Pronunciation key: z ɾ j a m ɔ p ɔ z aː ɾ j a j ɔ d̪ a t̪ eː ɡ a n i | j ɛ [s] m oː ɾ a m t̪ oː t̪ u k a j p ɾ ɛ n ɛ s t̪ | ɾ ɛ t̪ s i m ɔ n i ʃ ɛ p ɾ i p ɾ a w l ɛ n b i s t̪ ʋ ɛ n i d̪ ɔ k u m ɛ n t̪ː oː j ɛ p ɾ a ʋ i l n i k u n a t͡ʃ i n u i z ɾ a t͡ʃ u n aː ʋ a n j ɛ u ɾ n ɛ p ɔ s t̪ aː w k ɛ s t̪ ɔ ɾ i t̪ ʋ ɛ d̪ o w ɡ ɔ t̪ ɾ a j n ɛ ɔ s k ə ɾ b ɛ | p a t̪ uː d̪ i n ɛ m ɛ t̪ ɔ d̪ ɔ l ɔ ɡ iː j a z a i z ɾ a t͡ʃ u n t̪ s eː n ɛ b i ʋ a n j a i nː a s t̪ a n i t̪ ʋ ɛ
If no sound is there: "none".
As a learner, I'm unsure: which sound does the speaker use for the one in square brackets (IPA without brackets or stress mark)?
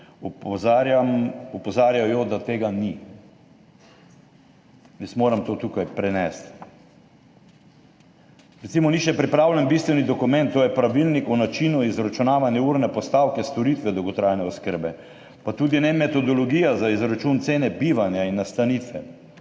s